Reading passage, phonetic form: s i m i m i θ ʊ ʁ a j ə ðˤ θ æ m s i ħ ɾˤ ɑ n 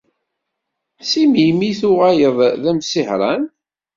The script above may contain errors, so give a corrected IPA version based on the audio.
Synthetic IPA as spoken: s i m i m i θ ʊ ʁ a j ə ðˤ ð æ m s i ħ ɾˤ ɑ n